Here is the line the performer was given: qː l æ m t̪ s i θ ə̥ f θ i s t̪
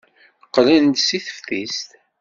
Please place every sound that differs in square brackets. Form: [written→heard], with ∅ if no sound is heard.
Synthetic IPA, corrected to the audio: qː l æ [m→n] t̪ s i θ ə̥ f θ i s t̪